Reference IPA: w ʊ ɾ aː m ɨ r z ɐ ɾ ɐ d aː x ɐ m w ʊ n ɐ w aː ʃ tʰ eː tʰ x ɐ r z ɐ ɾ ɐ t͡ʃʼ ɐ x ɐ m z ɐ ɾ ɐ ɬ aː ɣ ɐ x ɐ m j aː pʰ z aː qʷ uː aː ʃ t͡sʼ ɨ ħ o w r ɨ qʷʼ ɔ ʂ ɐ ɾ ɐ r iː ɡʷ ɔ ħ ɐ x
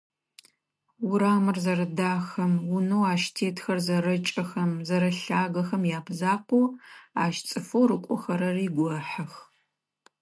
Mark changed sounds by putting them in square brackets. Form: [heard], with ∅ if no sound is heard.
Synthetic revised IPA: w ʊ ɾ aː m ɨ r z ɐ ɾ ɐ d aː x ɐ m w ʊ n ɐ w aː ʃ tʰ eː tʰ x ɐ r z ɐ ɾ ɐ t͡ʃʼ ɐ x ɐ m z ɐ ɾ ɐ ɬ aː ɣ ɐ x ɐ m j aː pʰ z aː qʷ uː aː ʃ t͡sʼ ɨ [f] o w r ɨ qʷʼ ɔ [x] ɐ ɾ ɐ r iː ɡʷ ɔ ħ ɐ x